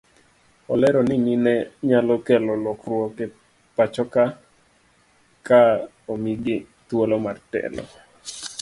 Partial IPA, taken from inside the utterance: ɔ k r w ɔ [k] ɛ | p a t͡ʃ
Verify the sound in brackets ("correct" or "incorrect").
correct